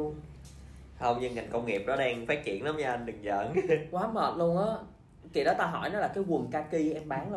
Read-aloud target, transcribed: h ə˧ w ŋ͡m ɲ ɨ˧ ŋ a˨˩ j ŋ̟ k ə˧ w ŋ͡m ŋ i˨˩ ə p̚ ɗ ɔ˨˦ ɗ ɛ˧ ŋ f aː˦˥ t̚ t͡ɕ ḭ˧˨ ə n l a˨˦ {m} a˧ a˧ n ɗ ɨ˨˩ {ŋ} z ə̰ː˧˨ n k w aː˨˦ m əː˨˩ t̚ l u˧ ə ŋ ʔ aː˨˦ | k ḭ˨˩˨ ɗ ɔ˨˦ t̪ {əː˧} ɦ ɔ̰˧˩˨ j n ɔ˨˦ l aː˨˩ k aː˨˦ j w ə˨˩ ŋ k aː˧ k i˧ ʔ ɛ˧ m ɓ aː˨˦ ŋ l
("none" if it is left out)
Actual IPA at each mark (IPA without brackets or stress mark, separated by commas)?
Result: m, ŋ, aː˧